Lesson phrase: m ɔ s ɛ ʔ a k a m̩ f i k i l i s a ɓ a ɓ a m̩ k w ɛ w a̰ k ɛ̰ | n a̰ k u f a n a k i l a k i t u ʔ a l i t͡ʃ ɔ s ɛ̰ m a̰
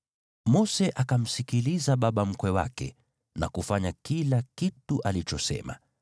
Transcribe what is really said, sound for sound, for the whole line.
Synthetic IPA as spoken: m ɔ s ɛ ʔ a k a m̩ s i k i l i z a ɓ a ɓ a m̩ k w ɛ w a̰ k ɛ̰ | n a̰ k u f a ɲ a k i l a k i t u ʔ a l i t͡ʃ ɔ s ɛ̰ m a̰

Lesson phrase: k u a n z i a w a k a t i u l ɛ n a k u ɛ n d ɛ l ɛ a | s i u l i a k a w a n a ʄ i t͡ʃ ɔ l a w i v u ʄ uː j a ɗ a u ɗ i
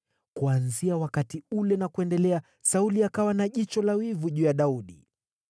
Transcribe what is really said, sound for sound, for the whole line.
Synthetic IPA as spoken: k u a n z i a w a k a t i u l ɛ n a k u ɛ n d ɛ l ɛ a | s a u l i a k a w a n a ʄ i t͡ʃ ɔ l a w i v u ʄ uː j a ɗ a u ɗ i

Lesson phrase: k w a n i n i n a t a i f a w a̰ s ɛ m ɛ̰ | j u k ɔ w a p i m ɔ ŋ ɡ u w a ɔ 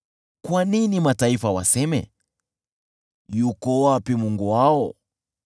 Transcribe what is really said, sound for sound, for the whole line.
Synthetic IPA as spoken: k w a n i n i m a t a i f a w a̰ s ɛ m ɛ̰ | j u k ɔ w a p i m u ŋ ɡ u w a ɔ

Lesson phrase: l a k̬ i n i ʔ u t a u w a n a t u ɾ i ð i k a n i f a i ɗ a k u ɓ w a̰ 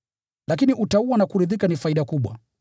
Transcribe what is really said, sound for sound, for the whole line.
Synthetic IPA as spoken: l a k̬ i n i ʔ u t a u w a n a k u ɾ i ð i k a n i f a i ɗ a k u ɓ w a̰

